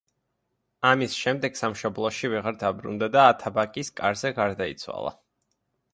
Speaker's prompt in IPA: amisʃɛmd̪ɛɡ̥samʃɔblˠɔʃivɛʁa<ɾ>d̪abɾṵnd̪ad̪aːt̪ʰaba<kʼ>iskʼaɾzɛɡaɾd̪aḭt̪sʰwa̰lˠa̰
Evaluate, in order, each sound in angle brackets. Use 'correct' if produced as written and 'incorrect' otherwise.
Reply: correct, correct

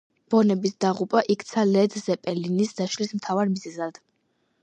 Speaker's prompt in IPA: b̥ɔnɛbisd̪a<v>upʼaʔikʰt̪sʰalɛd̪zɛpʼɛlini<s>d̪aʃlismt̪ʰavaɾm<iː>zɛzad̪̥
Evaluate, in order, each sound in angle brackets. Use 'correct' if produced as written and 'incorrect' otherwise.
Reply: incorrect, correct, incorrect

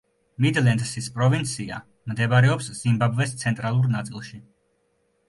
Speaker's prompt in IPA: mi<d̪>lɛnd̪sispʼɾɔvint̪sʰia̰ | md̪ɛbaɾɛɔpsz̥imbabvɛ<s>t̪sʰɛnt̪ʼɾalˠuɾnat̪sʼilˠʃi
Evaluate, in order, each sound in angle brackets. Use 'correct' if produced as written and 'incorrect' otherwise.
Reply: correct, correct

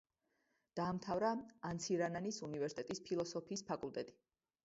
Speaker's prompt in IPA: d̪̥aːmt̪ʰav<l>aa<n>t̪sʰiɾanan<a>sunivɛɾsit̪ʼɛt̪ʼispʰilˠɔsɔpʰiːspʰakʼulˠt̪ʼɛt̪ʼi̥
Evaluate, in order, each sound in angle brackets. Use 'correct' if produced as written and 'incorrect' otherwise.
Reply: incorrect, correct, incorrect

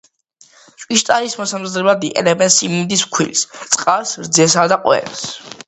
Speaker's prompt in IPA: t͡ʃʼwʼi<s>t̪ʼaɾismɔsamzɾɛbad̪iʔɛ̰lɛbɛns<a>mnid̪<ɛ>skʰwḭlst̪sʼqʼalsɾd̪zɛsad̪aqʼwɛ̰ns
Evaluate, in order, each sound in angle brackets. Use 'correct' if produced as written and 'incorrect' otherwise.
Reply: incorrect, incorrect, incorrect

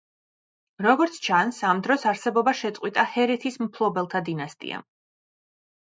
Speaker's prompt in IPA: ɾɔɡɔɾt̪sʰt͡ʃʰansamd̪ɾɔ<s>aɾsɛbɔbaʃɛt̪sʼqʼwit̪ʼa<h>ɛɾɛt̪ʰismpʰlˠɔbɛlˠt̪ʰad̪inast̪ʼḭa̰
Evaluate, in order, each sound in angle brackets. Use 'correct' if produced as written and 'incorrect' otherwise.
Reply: correct, correct

